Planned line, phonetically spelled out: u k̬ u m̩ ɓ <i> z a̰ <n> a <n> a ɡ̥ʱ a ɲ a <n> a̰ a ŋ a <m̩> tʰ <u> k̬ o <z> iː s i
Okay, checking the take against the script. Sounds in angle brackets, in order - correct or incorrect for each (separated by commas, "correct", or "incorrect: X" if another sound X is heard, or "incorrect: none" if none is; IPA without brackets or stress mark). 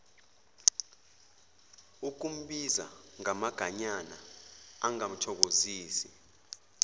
correct, incorrect: ŋ, incorrect: m, correct, correct, incorrect: ɔ, correct